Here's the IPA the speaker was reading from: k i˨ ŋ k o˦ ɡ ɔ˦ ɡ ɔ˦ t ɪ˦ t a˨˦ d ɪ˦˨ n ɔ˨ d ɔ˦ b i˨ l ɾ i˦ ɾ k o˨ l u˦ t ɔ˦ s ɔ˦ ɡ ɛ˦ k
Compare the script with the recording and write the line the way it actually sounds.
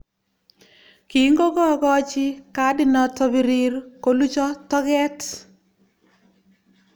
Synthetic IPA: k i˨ ŋ ɡ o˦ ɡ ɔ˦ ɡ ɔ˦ t͡ʃ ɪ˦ k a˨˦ d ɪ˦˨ n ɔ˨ t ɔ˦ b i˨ ɾ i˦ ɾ k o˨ l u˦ t͡ʃ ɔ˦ t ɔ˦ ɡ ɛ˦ t